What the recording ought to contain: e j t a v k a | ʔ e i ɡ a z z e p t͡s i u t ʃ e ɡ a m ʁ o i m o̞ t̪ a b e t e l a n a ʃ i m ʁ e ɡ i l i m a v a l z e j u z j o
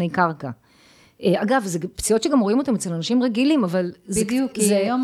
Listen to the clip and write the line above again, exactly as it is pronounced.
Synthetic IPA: e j k a ʁ k a | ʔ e a ɡ a v z e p t͡s i o t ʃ e ɡ a m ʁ o i m o̞ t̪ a m e t͡s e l a n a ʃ i m ʁ e ɡ i l i m a v a l z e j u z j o